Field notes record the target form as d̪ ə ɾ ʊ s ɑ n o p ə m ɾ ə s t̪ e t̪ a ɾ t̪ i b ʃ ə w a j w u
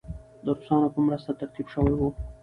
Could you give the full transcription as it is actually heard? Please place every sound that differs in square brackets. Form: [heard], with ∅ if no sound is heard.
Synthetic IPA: d̪ ə ɾ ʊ s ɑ n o p ə m ɾ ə s t̪ [a] t̪ a ɾ t̪ i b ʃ ə w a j w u

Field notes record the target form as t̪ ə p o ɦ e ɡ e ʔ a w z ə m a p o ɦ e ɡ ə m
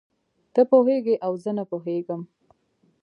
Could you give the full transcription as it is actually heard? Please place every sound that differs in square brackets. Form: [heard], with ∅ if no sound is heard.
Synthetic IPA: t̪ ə p o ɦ e ɡ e ʔ a w z ə [n] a p o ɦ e ɡ ə m

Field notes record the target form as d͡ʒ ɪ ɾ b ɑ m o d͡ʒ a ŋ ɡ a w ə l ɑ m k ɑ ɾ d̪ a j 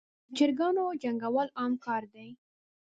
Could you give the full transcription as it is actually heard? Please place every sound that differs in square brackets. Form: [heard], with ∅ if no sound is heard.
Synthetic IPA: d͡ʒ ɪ ɾ [ɡ] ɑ [n] o d͡ʒ a ŋ ɡ a w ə l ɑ m k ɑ ɾ d̪ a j

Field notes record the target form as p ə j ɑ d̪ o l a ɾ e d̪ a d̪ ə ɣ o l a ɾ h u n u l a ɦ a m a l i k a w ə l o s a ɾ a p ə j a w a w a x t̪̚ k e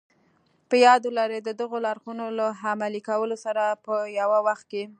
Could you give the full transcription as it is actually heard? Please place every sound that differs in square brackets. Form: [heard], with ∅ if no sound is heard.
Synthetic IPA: p ə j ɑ d̪ o l a ɾ e d̪ [ə] d̪ ə ɣ o l a ɾ [x] u n [o] l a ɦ a m a l i k a w ə l o s a ɾ a p ə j a w a w a x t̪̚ k e

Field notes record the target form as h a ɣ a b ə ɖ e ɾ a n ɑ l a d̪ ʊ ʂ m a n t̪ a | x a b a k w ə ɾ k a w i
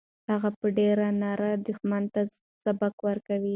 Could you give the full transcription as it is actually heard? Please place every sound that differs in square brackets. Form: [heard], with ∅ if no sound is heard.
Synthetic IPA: h a ɣ a [p] ə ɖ e ɾ a n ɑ [ɾ] a d̪ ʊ [x] m a n t̪ a | [s] a b a k w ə ɾ k a w i

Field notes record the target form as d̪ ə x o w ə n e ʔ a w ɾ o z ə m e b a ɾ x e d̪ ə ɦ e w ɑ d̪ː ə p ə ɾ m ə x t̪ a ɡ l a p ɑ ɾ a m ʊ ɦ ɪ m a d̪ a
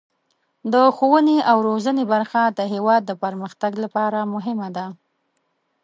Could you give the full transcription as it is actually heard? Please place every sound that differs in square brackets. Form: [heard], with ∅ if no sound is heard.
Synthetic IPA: d̪ ə x o w ə n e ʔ a w ɾ o z ə [n] e b a ɾ x [a] d̪ ə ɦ e w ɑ d̪ː ə p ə ɾ m ə x t̪ a ɡ l a p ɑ ɾ a m ʊ ɦ ɪ m a d̪ a

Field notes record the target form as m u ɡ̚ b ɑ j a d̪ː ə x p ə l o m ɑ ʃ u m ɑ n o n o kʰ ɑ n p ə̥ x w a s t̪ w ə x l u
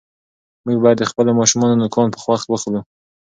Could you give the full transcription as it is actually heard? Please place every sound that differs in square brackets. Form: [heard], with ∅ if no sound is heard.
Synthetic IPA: m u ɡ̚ b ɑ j a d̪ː ə x p ə l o m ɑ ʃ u m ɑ n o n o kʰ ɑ n p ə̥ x w a [x] t̪ w ə x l u

